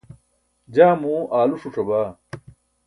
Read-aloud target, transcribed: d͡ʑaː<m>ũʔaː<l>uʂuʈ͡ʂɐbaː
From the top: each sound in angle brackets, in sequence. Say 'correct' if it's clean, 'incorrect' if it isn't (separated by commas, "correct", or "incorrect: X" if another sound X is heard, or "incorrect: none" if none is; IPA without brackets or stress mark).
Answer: correct, correct